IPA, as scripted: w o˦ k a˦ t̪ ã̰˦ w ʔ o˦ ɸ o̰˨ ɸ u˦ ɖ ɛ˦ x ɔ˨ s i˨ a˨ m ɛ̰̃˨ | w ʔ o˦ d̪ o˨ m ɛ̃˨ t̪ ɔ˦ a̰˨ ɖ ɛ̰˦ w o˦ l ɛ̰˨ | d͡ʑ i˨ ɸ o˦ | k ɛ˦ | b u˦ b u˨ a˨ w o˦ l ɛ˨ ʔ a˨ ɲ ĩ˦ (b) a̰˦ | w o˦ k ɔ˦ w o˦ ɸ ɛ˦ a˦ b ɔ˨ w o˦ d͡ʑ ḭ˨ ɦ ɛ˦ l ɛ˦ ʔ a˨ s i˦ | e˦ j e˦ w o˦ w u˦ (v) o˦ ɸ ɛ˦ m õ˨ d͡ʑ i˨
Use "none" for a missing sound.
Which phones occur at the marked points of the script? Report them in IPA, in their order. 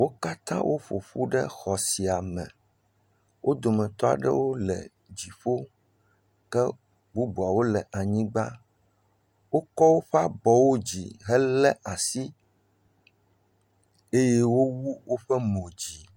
ɡ͡b, w

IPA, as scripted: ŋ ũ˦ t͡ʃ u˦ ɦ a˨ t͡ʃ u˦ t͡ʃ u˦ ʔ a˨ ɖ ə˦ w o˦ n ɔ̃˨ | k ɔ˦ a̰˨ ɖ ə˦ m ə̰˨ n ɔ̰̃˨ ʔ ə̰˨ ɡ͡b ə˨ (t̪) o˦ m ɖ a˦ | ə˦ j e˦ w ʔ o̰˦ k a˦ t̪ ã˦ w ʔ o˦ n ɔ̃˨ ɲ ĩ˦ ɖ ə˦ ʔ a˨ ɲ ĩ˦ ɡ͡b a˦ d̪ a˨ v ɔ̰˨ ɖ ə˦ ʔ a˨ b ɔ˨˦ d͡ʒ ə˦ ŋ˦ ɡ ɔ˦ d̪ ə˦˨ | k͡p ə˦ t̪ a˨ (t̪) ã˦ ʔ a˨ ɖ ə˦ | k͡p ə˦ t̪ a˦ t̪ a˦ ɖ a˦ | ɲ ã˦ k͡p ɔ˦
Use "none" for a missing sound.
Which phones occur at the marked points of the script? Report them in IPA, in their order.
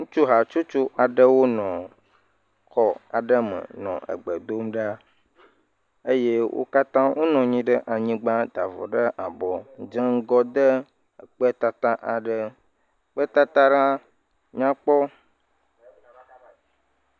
d̪, t̪

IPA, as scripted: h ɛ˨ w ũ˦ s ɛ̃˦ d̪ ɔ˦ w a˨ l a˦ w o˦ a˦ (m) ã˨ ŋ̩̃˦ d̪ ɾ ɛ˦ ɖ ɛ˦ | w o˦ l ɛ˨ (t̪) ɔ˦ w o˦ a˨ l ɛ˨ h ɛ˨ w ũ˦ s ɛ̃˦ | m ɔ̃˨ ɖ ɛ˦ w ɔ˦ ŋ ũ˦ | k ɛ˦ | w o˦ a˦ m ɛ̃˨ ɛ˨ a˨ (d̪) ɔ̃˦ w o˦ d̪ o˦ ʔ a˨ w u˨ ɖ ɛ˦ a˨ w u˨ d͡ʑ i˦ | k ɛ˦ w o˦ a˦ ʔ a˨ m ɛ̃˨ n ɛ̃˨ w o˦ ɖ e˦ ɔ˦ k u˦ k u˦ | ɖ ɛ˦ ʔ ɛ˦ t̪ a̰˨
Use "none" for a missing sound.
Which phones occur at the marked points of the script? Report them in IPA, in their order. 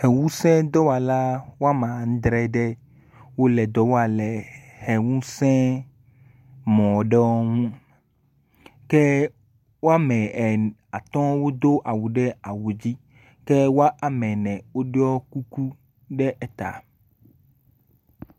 m, d̪, t̪

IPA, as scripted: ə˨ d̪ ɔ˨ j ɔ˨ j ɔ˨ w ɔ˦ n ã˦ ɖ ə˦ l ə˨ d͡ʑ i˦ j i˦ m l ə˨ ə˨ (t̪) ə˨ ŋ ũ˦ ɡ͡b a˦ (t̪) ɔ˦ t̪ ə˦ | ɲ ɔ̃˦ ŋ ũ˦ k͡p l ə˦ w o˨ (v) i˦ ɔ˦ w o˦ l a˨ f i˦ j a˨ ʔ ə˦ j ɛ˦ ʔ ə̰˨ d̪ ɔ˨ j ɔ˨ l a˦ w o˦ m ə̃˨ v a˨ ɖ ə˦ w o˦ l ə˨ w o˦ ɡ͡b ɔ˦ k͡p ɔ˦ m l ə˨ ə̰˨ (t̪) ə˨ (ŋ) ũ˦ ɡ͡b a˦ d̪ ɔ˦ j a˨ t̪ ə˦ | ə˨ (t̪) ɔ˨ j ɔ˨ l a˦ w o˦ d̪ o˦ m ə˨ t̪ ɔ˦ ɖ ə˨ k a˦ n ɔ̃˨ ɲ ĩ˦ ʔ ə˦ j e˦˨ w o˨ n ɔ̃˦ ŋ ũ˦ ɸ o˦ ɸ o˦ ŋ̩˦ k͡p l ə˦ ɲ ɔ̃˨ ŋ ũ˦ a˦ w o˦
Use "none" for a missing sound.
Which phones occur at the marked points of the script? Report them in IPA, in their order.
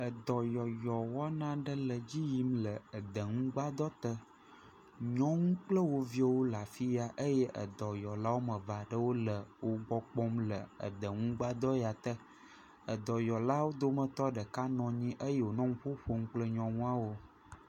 d̪, d̪, v, d̪, ŋ, d̪

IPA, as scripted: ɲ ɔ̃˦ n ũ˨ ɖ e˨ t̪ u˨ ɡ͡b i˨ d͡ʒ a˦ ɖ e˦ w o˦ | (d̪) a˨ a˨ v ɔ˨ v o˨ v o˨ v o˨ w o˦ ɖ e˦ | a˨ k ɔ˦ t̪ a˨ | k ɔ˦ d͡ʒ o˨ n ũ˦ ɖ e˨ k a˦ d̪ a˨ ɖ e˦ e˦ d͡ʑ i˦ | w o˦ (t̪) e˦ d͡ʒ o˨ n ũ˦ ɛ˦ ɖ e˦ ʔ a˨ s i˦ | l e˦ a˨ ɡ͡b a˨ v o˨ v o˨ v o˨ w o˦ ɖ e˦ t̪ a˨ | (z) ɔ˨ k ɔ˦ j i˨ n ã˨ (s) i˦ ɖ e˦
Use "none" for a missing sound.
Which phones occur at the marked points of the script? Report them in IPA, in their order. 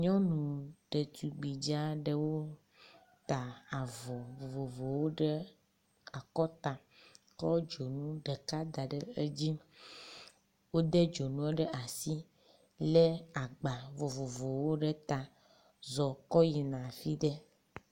t̪, d̪, z, f

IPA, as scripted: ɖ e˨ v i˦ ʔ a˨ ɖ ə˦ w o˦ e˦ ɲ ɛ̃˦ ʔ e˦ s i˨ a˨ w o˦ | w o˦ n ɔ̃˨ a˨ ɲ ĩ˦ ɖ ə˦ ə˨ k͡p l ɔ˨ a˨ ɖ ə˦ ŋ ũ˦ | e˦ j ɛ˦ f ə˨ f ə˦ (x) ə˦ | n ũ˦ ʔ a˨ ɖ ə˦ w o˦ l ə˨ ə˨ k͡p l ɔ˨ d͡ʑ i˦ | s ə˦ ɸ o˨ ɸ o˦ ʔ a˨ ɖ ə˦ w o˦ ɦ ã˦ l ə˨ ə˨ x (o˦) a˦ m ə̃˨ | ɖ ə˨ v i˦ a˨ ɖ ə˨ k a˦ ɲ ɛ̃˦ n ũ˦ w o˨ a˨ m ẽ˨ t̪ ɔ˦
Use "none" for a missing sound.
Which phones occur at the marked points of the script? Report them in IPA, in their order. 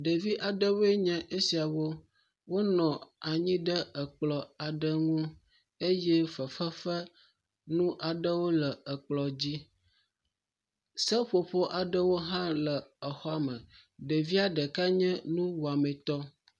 f, ɔ˦

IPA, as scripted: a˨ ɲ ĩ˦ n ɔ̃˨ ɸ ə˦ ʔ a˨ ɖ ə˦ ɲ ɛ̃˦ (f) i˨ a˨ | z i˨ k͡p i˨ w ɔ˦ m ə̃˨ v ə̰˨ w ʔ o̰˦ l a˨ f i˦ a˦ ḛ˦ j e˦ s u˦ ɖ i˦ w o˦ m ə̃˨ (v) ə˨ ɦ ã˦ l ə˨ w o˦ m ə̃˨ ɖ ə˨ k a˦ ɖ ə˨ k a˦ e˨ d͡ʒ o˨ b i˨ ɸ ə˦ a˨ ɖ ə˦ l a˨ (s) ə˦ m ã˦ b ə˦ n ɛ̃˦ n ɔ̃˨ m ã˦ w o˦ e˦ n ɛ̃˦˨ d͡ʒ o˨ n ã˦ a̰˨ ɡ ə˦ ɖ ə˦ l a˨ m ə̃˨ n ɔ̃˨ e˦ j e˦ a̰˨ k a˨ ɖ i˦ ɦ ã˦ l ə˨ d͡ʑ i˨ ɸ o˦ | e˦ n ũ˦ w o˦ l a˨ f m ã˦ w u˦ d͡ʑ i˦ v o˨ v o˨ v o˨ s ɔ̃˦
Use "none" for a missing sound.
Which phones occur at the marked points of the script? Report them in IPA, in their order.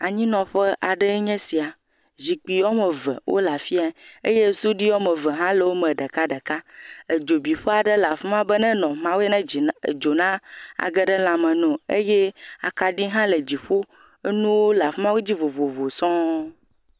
s, v, f

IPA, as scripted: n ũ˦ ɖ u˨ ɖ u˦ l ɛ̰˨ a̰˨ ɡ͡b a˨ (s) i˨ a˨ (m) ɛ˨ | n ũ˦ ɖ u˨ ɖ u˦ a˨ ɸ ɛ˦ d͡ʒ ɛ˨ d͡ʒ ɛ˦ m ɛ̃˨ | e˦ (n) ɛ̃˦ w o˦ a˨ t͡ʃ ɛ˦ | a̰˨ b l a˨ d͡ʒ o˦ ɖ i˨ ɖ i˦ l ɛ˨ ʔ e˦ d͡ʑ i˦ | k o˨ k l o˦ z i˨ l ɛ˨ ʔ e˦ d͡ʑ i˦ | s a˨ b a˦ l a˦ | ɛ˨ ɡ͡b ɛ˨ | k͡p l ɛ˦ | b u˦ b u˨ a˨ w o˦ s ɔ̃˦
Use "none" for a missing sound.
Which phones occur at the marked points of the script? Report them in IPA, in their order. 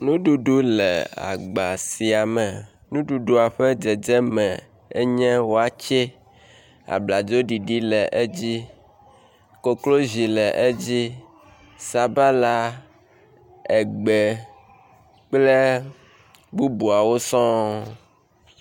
s, m, ɲ

